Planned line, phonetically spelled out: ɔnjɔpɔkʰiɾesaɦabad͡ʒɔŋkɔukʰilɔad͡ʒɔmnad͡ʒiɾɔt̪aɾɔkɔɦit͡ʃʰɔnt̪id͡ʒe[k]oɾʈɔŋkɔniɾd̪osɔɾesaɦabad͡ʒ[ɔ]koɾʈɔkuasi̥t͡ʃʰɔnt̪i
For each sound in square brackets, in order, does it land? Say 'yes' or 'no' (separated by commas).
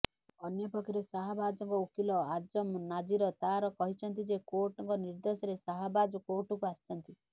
yes, yes